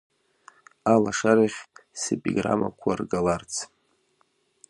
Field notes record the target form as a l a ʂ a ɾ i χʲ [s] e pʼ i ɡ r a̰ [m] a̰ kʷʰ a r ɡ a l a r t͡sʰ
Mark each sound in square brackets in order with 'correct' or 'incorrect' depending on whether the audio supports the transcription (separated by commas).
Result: correct, correct